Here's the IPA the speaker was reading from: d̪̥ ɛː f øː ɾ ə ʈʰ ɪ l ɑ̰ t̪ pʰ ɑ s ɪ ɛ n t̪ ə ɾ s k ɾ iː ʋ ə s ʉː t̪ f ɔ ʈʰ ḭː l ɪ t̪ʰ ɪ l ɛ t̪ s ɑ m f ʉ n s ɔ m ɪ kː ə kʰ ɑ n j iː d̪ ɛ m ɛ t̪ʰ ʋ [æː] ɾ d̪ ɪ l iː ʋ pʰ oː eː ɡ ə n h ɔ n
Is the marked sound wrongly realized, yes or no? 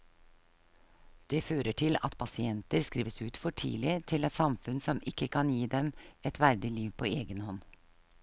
yes